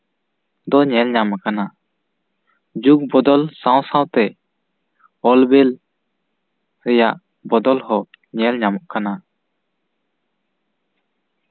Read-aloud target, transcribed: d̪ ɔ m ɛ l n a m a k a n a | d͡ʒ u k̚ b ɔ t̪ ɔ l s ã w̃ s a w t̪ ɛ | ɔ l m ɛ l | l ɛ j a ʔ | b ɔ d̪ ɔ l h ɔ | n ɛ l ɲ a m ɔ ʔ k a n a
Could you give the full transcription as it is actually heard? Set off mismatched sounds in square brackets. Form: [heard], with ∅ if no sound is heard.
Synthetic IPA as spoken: d̪ ɔ [ɲ] ɛ l [ɲ] a m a k a n a | d͡ʒ u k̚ b ɔ [d̪] ɔ l s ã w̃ s a w t̪ ɛ | ɔ l [b] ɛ l | [ɾ] ɛ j a ʔ | b ɔ d̪ ɔ l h ɔ | [ɲ] ɛ l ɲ a m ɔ ʔ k a n a